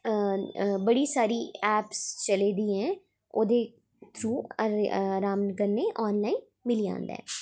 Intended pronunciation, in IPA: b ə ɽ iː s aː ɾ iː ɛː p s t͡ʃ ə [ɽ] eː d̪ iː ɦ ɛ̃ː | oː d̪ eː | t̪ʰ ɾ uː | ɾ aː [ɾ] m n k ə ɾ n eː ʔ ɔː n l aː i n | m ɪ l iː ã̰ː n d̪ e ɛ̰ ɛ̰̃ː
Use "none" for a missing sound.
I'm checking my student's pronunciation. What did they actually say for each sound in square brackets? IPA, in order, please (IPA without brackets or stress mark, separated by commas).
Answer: l, none